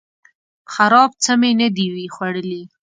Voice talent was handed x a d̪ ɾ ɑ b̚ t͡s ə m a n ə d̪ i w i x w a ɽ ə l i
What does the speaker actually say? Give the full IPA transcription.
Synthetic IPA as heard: x a ɾ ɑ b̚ t͡s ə m e n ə d̪ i w i x w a ɽ ə l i